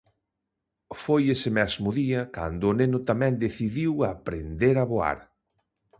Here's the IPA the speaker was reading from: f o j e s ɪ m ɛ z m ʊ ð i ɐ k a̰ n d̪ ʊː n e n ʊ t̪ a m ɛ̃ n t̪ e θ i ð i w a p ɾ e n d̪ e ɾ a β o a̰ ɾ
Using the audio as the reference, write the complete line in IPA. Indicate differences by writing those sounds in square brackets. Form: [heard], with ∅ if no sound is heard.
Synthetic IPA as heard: f o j e s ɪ m ɛ z m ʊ ð i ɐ k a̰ n d̪ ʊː n e n ʊ t̪ a m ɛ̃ n [d̪] e θ i ð i w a p ɾ e n d̪ e ɾ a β o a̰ ɾ